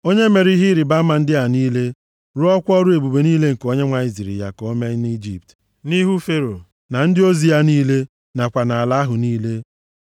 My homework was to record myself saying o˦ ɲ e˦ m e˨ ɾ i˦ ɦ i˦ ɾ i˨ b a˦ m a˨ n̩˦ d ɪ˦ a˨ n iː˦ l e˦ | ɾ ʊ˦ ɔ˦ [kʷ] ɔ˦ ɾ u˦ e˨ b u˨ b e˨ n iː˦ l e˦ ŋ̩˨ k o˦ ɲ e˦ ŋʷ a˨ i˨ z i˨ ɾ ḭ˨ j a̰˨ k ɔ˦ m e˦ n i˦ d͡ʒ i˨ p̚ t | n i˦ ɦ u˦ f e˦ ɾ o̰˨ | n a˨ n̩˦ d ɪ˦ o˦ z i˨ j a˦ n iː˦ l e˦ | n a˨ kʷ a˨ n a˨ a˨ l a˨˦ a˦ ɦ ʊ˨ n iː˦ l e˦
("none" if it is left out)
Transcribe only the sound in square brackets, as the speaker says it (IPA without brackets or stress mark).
kʷ